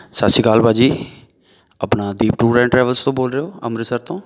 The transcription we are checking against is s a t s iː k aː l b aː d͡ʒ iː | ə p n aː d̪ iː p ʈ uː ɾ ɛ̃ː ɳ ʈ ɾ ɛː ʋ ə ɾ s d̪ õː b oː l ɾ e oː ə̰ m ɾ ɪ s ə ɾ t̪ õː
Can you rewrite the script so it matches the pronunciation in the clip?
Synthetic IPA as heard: s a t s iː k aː l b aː d͡ʒ iː | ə p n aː d̪ iː p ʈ uː ɾ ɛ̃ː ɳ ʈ ɾ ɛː ʋ ə l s t̪ õː b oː l ɾ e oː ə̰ m ɾ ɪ s ə ɾ t̪ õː